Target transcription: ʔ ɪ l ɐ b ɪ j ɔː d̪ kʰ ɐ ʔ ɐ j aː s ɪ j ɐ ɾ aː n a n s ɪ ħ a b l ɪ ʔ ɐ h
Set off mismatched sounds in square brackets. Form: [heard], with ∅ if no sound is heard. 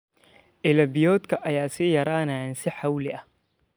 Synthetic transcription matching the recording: ʔ ɪ l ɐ b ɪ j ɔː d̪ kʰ ɐ ʔ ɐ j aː s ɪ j ɐ ɾ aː n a n s ɪ ħ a [w] l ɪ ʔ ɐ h

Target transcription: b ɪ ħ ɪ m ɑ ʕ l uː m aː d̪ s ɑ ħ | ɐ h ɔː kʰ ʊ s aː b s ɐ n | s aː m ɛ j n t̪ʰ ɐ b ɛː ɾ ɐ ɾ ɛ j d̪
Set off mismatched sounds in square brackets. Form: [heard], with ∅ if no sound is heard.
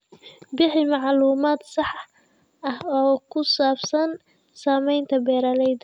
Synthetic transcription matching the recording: b ɪ ħ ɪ m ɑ ʕ l uː m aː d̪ s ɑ ħ | ɐ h ɔː kʰ ʊ s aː b s ɐ n | s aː m ɛ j n t̪ʰ ɐ b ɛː ɾ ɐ [l] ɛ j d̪

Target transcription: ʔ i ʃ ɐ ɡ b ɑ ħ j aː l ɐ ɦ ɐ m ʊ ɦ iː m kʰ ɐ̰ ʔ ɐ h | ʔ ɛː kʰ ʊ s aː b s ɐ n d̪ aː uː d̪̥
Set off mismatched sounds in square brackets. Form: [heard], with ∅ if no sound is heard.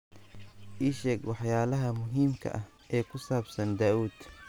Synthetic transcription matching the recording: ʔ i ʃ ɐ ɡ [w] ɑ ħ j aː l ɐ ɦ ɐ m ʊ ɦ iː m kʰ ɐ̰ ʔ ɐ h | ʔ ɛː kʰ ʊ s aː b s ɐ n d̪ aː uː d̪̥

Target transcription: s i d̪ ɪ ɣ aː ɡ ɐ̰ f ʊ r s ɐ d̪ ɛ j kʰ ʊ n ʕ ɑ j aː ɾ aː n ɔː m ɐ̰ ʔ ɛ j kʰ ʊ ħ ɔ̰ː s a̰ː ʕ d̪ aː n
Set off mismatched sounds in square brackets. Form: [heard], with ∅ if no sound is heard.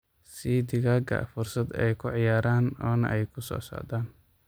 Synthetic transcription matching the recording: s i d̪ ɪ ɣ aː ɡ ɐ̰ f ʊ r s ɐ d̪ ɛ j kʰ ʊ [∅] ʕ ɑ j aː ɾ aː n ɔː [n] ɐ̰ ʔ ɛ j kʰ ʊ [s] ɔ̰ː s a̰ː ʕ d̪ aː n

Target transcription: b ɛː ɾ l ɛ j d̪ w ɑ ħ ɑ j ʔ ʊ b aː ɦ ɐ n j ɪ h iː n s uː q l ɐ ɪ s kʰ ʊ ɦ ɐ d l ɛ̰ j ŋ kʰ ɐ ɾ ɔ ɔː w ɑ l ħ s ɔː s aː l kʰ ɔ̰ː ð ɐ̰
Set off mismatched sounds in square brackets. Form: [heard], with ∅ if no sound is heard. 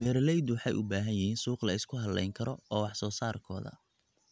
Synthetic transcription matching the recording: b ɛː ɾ l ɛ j d̪ w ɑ ħ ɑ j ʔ ʊ b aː ɦ ɐ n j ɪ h iː n s uː q l ɐ ɪ s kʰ ʊ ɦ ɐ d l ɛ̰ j ŋ kʰ ɐ ɾ ɔ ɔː w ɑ [∅] ħ s ɔː s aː [r] kʰ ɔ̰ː ð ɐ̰

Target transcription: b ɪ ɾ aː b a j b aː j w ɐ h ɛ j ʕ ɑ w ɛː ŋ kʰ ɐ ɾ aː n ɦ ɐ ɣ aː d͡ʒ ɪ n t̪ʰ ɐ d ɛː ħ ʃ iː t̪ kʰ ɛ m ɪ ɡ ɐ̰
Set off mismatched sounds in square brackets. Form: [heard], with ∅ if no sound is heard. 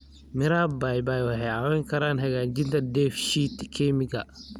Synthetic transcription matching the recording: [m] ɪ ɾ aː b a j b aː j w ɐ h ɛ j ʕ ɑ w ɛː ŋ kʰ ɐ ɾ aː n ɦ ɐ ɣ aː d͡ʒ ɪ n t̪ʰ ɐ d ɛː [f] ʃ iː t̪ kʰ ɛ m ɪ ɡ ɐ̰

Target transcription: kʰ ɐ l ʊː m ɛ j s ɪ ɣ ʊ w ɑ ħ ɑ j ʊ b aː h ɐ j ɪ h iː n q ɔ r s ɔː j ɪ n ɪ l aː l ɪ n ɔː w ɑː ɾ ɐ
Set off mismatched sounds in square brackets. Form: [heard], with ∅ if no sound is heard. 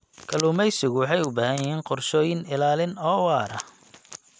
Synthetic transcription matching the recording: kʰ ɐ l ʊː m ɛ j s ɪ ɣ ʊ w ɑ ħ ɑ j ʊ b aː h ɐ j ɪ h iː n q ɔ r [ʃ] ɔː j ɪ n ɪ l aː l ɪ n ɔː w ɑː ɾ ɐ

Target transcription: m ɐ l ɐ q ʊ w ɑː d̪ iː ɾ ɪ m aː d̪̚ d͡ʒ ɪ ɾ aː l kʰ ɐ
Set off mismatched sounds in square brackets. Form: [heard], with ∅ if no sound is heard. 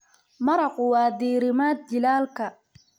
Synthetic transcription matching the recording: m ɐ [ɾ] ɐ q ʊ w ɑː d̪ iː ɾ ɪ m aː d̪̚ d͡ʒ ɪ [l] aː l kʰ ɐ

